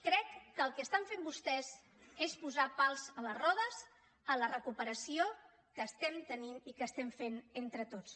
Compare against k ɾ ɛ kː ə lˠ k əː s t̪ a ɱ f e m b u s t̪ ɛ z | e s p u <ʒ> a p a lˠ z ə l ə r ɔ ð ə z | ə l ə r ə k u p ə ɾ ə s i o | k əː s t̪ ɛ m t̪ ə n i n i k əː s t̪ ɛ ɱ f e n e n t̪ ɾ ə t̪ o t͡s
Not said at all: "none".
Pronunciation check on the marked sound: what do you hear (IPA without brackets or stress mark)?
z